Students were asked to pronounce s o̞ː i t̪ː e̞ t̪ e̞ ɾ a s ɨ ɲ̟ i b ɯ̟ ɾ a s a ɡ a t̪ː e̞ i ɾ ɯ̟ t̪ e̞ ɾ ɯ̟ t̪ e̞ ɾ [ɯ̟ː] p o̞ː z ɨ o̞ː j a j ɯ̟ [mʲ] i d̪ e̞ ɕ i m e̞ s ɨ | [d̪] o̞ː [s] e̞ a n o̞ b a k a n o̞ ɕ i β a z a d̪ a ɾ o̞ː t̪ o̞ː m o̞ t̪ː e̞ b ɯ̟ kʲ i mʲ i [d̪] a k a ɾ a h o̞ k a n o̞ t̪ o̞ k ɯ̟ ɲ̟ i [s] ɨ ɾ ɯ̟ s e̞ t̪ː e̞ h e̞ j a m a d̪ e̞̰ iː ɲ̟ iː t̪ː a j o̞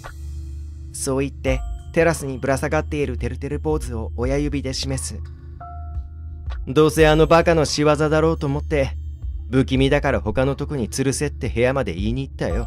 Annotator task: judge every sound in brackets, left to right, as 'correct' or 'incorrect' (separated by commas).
incorrect, incorrect, correct, correct, correct, incorrect